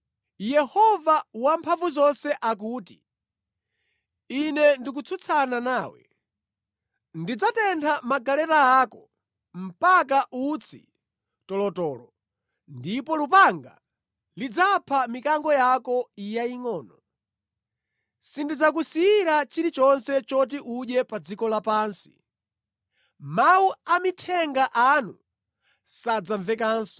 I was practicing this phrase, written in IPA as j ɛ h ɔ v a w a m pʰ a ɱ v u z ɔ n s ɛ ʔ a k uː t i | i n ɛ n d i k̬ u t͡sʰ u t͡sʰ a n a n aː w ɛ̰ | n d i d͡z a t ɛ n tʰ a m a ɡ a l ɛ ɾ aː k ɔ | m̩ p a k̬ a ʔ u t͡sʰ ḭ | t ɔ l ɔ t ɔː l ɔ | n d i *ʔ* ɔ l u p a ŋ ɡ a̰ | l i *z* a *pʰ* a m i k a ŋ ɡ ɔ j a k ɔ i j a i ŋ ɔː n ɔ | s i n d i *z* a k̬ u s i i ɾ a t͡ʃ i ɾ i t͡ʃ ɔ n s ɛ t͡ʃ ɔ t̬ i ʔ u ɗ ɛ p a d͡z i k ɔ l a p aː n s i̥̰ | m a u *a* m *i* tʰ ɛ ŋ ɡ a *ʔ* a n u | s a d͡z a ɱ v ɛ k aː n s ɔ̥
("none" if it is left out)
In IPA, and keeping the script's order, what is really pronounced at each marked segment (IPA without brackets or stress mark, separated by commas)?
p, d͡z, pʰ, d͡z, a, i, ʔ